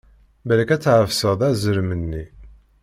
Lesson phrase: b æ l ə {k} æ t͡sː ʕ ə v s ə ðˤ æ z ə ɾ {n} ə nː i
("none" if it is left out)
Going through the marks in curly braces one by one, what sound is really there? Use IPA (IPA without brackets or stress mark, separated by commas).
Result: k, m